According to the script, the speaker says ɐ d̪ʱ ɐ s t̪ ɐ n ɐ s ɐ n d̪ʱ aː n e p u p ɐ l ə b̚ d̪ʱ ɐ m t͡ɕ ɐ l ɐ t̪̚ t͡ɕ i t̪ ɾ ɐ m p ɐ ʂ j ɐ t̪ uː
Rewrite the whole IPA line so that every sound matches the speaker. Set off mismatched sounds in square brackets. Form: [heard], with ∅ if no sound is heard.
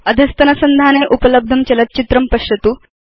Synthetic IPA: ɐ d̪ʱ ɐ s t̪ ɐ n ɐ s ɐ n d̪ʱ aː n e [ʔ] u p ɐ l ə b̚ d̪ʱ ɐ m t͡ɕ ɐ l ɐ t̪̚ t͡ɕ i t̪ ɾ ɐ m p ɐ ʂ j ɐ t̪ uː